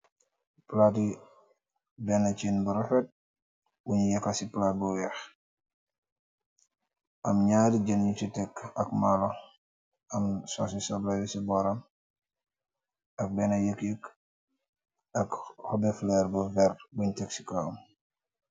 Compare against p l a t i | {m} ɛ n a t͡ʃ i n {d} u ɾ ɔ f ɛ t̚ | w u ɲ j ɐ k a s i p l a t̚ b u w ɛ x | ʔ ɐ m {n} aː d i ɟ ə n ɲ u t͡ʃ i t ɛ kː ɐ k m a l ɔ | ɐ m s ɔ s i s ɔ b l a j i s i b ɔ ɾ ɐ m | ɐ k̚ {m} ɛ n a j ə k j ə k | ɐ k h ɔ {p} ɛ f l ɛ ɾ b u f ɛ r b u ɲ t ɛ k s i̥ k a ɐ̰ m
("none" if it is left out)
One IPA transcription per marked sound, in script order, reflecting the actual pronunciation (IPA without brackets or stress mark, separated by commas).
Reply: b, b, ɲ, b, b